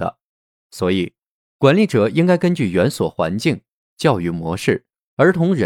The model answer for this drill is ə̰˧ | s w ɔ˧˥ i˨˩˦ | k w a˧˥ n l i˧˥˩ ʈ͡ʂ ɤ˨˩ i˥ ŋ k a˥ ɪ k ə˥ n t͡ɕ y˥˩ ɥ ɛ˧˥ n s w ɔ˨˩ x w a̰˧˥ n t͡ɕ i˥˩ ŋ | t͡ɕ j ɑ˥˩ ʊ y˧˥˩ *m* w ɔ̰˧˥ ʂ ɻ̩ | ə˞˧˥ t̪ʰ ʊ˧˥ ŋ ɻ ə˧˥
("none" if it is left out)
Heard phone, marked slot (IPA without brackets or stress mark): m